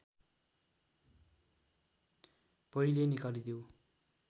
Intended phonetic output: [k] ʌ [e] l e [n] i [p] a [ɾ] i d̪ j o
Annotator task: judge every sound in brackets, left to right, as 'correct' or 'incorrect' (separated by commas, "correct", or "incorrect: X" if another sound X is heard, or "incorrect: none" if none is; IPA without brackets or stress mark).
incorrect: p, incorrect: i, correct, incorrect: k, incorrect: l